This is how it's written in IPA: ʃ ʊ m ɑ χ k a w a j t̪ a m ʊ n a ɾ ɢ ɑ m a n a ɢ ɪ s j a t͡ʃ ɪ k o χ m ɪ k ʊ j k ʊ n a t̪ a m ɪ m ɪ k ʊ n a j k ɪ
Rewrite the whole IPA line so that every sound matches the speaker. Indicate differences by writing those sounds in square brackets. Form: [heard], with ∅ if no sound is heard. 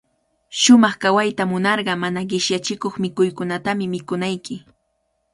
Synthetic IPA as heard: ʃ ʊ m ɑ χ k a w a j t̪ a m ʊ n [ɑ] ɾ ɢ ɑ m a n a ɢ ɪ [ʃ] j a t͡ʃ ɪ k o χ m ɪ k ʊ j k ʊ n a t̪ a m ɪ m ɪ k ʊ n a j k ɪ

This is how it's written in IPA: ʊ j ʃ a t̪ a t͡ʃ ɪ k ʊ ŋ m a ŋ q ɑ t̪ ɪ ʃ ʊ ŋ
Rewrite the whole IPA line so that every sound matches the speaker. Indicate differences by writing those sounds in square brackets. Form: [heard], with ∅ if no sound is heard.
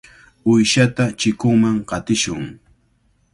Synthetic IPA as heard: ʊ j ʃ a t̪ a t͡ʃ ɪ k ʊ ŋ m a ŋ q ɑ t̪ ɪ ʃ ʊ ŋ

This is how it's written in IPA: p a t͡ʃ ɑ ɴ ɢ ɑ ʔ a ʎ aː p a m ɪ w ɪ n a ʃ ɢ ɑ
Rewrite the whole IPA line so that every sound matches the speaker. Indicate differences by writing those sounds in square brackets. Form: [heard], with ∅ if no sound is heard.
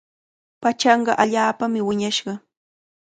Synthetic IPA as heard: p a t͡ʃ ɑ ɴ ɢ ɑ ʔ a ʎ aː p a m ɪ w ɪ [ɲ] a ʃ ɢ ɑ

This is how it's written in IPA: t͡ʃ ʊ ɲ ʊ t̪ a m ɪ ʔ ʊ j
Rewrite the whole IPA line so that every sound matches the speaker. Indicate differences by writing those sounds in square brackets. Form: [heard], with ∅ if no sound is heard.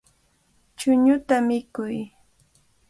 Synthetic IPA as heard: t͡ʃ ʊ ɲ ʊ t̪ a m ɪ [k] ʊ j

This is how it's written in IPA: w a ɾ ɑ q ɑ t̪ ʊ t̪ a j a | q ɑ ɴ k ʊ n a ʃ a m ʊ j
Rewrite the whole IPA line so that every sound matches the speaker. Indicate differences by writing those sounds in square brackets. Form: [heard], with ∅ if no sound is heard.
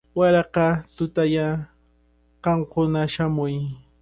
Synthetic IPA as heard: w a ɾ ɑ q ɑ t̪ ʊ t̪ a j a | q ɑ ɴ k ʊ n a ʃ a m ʊ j

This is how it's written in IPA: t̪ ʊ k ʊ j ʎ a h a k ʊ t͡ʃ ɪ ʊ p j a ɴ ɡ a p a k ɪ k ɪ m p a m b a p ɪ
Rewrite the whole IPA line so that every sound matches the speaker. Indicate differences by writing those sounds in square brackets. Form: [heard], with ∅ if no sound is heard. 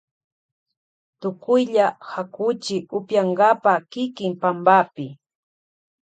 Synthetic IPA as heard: t̪ ʊ k ʊ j ʎ a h a k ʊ t͡ʃ ɪ ʊ p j a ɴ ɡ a p a k ɪ k ɪ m p a m b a p ɪ

